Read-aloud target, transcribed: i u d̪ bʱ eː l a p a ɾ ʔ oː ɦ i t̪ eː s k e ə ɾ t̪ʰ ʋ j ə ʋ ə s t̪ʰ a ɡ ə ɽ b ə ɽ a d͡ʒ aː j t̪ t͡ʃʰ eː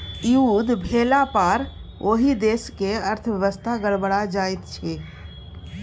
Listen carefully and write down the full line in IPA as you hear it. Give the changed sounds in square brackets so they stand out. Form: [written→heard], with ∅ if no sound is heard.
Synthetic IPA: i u d̪ bʱ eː l a p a ɾ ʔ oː ɦ i [t̪→d̪] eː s k e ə ɾ t̪ʰ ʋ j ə ʋ ə s t̪ʰ a ɡ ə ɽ b ə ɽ a d͡ʒ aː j t̪ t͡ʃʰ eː